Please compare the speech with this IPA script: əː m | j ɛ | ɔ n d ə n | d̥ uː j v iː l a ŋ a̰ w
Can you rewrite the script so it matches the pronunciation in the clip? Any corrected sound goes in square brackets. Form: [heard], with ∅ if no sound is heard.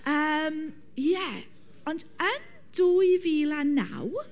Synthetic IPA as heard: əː m | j ɛ | ɔ n d ə n | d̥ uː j v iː l a [n] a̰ w